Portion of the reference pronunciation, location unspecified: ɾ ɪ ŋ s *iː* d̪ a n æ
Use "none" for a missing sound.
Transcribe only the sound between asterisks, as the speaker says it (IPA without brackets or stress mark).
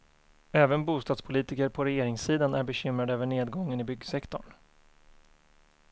iː